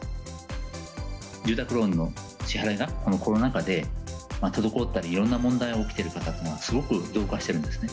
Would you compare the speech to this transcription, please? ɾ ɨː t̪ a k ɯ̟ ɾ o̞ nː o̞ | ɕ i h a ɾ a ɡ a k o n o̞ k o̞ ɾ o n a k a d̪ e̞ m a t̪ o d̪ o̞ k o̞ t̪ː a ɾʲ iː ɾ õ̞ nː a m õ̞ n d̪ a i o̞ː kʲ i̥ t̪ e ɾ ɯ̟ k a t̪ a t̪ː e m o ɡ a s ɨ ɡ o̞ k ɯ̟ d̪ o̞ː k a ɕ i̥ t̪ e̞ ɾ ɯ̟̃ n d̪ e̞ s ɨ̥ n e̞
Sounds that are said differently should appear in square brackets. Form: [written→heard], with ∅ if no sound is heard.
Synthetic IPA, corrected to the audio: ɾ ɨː t̪ a k ɯ̟ ɾ o̞ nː o̞ | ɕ i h a ɾ a ɡ a k o n o̞ k o̞ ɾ o n a k a d̪ e̞ m a t̪ o d̪ o̞ k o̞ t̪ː a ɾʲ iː ɾ õ̞ nː a m õ̞ n d̪ a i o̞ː kʲ i̥ t̪ e ɾ ɯ̟ k a t̪ a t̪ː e [m→n] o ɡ a s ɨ ɡ o̞ k ɯ̟ d̪ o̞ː k a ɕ i̥ t̪ e̞ ɾ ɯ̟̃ n d̪ e̞ s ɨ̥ n e̞